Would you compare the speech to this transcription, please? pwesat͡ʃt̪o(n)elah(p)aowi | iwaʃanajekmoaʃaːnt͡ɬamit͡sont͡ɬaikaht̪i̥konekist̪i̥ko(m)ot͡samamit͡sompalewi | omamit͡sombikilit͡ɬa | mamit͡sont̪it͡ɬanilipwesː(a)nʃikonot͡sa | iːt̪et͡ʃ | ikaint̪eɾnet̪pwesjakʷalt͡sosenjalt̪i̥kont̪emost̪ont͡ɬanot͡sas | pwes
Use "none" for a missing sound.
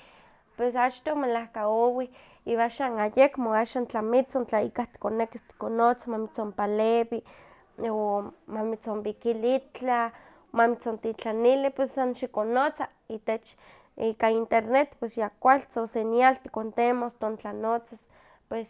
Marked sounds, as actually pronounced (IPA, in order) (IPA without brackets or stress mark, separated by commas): m, k, n, a